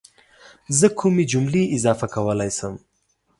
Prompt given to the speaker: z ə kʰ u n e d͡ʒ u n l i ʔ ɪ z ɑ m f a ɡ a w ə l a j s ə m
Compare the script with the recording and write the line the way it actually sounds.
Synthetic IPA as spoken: z ə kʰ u m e d͡ʒ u m l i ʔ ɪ z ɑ f a k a w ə l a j s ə m